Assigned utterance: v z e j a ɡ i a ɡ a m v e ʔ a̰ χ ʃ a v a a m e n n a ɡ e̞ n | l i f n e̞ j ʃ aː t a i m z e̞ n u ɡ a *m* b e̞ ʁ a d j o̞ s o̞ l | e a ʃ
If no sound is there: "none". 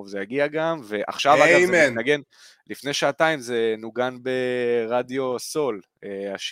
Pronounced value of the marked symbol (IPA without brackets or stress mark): n